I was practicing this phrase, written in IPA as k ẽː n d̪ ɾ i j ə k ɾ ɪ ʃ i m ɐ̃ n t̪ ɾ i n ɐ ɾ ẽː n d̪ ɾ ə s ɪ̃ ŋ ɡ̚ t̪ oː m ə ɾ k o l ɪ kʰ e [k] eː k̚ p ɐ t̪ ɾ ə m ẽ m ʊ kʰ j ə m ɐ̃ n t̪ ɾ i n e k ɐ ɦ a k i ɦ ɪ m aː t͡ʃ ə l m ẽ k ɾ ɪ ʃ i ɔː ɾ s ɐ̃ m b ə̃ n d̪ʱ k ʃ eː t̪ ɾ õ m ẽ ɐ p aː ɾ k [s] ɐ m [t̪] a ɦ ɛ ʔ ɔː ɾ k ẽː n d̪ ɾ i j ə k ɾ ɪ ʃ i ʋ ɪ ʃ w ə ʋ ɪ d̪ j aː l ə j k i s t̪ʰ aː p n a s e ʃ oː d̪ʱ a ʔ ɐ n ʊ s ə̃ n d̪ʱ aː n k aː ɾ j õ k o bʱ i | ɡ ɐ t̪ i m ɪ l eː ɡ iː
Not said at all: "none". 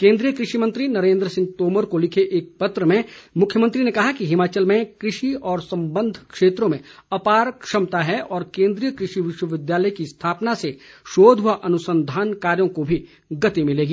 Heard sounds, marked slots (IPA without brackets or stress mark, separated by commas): ʔ, ʃ, t̪